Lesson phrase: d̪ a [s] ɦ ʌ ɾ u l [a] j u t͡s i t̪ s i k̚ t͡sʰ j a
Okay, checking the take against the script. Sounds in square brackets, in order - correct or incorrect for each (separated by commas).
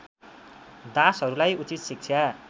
correct, correct